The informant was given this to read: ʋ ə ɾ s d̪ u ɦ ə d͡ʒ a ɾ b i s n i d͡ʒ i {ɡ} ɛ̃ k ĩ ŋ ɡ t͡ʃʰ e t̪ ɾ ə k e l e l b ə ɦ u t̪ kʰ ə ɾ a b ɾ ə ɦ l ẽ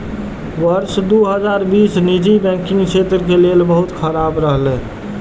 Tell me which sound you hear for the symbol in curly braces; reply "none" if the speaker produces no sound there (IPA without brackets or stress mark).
b